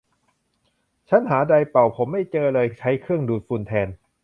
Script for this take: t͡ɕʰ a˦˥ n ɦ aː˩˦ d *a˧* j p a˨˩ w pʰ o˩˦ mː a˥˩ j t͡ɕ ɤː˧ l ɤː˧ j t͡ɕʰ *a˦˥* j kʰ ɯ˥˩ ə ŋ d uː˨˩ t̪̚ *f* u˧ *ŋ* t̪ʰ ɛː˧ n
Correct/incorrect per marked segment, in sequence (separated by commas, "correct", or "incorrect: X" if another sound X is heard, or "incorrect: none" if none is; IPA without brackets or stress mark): correct, correct, correct, incorrect: n